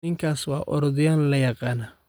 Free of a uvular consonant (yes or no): no